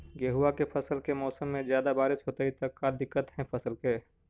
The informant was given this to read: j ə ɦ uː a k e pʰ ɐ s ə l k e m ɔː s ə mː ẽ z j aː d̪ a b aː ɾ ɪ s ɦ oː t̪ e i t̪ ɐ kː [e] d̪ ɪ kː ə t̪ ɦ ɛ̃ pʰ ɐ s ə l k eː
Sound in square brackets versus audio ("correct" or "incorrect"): incorrect